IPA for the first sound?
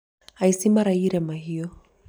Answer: a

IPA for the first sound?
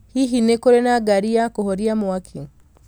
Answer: h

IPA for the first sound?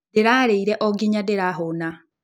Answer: d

